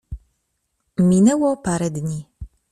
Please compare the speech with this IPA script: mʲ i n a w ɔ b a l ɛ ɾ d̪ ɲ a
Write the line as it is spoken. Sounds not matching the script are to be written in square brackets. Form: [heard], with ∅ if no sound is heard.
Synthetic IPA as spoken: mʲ i n [ɛ] w ɔ [p] a [ɾ] ɛ [∅] d̪ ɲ [i]